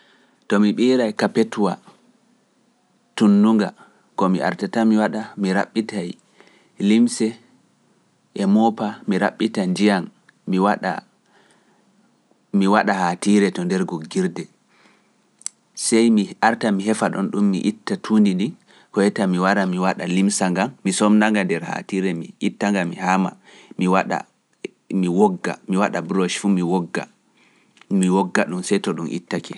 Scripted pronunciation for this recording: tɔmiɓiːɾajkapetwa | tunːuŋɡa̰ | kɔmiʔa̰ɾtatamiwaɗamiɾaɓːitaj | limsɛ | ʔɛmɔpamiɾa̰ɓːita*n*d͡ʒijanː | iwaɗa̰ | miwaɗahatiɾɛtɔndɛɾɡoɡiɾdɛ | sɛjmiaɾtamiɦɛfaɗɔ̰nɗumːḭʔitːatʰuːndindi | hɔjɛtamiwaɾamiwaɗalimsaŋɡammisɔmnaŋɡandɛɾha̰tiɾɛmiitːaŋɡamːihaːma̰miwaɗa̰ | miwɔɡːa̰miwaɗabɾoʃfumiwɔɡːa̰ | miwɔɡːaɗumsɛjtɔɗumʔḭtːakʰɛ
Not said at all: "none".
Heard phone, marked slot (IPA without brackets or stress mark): n